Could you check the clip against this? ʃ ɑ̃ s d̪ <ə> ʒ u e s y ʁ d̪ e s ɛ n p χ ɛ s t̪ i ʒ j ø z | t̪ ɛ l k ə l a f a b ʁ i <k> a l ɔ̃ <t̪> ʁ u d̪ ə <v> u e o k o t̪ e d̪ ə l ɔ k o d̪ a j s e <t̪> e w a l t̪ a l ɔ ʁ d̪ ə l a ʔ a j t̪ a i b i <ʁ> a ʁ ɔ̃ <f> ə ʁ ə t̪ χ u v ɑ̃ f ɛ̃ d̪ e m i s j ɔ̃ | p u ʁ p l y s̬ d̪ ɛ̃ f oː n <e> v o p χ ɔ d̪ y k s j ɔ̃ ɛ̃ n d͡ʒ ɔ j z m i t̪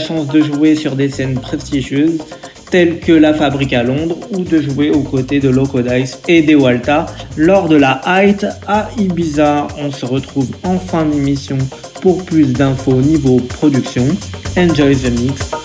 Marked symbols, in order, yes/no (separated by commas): yes, yes, no, no, no, no, no, no